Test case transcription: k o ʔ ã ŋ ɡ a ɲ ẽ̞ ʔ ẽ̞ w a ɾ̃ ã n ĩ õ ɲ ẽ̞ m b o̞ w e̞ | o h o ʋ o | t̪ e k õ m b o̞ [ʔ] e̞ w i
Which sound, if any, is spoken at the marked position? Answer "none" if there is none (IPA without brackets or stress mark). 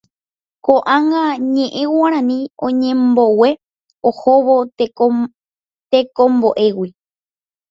ʔ